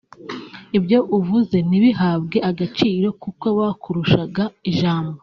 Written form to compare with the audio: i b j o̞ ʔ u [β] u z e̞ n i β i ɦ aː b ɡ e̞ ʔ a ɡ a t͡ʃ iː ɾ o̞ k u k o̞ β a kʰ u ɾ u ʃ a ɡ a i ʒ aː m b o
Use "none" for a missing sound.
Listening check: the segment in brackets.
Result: v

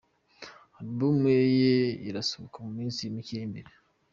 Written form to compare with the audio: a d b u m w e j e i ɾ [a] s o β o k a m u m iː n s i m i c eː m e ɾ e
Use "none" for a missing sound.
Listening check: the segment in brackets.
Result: a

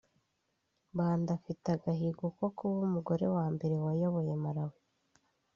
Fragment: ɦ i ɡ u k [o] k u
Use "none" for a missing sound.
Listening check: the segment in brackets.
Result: o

